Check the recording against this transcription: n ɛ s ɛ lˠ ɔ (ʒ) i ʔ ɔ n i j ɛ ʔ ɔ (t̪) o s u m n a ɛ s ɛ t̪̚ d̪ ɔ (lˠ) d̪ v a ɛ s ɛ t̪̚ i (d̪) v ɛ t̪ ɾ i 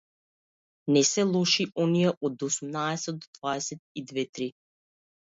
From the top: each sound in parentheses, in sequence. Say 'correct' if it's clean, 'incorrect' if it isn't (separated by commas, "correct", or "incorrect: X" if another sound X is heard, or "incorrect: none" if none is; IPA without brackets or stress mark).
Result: incorrect: ʃ, incorrect: d̪, incorrect: none, correct